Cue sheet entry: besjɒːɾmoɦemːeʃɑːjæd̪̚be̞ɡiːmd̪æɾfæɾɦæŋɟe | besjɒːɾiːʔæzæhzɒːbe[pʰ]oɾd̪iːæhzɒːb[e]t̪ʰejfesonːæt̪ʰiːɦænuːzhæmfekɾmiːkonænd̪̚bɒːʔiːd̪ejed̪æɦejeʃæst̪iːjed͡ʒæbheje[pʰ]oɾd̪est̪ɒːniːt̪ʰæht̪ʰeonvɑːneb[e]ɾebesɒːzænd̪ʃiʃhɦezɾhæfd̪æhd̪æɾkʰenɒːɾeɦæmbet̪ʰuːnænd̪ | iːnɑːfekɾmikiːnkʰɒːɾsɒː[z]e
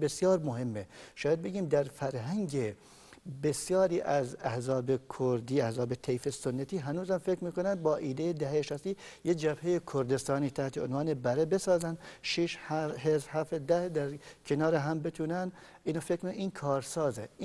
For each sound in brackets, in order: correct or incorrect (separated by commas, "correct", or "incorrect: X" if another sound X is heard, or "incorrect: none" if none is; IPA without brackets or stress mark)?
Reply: incorrect: kʰ, correct, incorrect: kʰ, incorrect: æ, correct